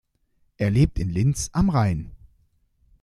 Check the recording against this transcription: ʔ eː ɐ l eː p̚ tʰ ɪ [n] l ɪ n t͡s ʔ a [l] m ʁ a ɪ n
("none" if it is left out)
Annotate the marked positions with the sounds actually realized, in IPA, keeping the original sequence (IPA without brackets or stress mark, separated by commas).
n, none